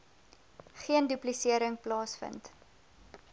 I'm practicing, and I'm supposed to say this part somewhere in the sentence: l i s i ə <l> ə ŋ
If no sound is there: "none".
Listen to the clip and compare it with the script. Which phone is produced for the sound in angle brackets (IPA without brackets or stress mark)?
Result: ɾ